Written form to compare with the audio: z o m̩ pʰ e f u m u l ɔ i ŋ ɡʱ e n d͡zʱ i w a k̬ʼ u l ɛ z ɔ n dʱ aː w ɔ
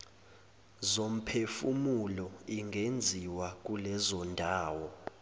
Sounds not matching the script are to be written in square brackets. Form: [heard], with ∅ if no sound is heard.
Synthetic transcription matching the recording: z o m̩ pʰ e f u m u l ɔ i ŋ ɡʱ e n d͡zʱ i w a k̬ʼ u l ɛ z ɔ n dʱ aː w ɔ